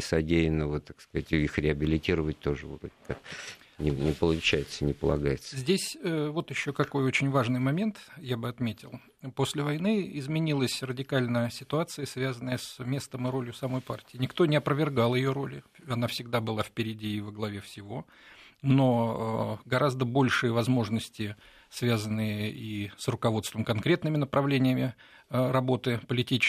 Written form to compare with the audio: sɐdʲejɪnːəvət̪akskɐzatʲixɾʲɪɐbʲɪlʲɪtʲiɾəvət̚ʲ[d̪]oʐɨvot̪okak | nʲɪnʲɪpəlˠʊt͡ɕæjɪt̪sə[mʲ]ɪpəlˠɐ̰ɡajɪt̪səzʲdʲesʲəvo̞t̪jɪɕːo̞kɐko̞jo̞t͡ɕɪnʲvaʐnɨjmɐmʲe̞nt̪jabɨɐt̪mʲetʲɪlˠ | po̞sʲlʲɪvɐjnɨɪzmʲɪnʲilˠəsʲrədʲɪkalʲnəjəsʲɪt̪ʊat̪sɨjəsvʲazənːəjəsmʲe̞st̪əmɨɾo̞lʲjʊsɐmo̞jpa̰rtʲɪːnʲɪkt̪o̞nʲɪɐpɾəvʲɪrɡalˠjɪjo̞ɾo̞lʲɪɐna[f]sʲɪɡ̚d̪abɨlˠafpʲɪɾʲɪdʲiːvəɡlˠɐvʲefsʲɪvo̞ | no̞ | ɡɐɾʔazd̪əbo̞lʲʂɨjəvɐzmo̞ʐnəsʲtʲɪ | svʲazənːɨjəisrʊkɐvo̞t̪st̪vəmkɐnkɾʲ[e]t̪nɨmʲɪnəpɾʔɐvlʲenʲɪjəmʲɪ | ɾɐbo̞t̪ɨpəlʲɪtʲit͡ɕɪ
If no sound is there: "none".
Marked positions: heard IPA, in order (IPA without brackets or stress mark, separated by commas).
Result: t̪, nʲ, f, e